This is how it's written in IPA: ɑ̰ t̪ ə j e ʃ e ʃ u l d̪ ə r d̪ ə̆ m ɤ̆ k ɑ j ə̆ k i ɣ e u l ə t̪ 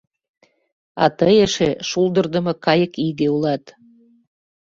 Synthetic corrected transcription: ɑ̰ t̪ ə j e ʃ e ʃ u l d̪ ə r d̪ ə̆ m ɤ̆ k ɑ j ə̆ k i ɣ e u l ɑ t̪